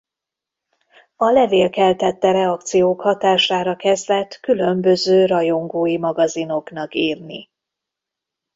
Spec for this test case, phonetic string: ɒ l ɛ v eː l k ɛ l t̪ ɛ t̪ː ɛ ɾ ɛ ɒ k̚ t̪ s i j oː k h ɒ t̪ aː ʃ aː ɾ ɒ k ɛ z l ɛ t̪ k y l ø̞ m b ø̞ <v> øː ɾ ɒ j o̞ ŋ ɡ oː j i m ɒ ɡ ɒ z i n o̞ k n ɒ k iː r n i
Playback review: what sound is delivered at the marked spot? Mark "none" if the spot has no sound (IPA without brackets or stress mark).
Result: z